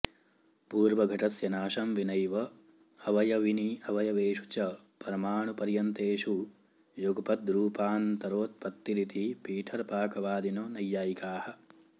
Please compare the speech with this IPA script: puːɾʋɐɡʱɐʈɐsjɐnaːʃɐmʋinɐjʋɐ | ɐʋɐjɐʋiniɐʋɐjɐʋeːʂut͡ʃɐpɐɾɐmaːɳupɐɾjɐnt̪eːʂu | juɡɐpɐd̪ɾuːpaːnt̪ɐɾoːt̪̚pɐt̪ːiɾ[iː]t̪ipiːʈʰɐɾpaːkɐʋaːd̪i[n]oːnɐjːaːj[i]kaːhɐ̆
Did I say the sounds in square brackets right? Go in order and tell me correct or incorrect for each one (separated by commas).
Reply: incorrect, correct, correct